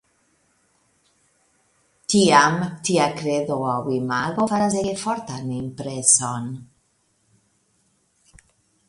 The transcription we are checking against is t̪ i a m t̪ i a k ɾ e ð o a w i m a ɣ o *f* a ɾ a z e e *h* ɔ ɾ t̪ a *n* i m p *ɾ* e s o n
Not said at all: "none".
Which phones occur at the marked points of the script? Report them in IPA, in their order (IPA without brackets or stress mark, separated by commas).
f, f, n, ɾ